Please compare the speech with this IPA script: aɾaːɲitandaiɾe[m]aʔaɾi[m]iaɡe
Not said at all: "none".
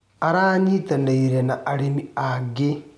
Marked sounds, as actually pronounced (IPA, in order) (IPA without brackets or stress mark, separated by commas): n, m